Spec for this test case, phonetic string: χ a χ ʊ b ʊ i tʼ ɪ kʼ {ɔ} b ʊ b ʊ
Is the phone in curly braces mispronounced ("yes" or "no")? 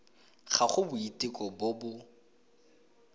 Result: no